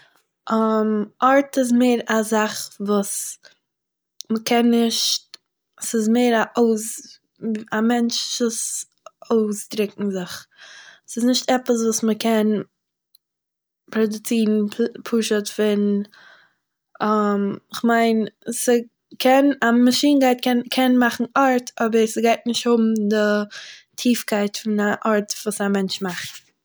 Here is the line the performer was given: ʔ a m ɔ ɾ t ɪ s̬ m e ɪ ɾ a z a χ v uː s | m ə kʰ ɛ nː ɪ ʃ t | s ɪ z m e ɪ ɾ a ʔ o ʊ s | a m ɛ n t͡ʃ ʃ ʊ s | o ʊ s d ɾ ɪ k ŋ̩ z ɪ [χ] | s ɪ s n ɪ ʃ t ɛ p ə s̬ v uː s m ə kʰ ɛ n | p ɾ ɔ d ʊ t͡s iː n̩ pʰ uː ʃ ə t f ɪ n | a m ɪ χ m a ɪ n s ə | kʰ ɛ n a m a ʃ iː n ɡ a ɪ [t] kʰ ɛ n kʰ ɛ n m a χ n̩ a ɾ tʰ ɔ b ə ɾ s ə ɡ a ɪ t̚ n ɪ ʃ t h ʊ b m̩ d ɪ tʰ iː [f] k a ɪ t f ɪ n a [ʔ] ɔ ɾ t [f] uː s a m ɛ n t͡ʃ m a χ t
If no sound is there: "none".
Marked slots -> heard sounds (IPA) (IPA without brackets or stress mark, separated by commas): χ, t, f, ʔ, v